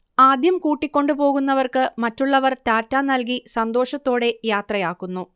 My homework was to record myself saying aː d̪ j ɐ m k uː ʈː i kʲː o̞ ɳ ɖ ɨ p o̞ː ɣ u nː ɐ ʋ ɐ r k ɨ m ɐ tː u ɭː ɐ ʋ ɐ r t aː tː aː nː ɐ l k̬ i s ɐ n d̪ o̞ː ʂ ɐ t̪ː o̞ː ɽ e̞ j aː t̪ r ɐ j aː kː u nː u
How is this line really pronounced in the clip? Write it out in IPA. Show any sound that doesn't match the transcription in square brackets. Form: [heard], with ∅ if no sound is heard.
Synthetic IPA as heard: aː d̪ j ɐ m k uː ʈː i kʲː o̞ ɳ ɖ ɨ p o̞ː ɣ u nː ɐ ʋ ɐ r k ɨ m ɐ tː u ɭː ɐ ʋ ɐ r t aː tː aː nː ɐ l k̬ i s ɐ n d̪ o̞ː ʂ ɐ t̪ː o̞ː ɽ e̞ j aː t̪ r ɐ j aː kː u nː u